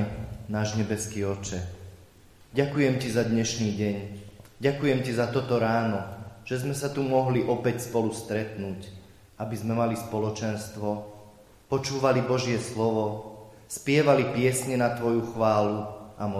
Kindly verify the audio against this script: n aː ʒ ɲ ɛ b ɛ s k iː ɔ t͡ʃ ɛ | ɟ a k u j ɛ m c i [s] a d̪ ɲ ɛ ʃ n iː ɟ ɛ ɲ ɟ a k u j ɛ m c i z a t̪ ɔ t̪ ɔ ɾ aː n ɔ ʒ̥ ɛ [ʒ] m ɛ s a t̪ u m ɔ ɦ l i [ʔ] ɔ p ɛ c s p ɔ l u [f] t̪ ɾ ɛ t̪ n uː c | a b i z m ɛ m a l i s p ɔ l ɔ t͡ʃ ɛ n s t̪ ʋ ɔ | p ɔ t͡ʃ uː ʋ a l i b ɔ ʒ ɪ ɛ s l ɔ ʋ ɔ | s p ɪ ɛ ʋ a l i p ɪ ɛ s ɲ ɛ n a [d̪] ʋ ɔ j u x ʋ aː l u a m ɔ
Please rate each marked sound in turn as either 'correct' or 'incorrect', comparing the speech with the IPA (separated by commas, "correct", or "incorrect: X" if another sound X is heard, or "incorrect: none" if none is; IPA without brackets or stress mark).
incorrect: z, incorrect: z, correct, incorrect: s, incorrect: t̪